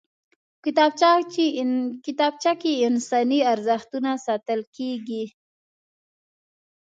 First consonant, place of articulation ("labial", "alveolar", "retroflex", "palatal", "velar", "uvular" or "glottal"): velar